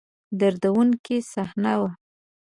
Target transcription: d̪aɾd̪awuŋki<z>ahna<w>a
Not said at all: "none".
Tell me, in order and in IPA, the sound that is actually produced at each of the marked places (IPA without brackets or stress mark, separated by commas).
s, w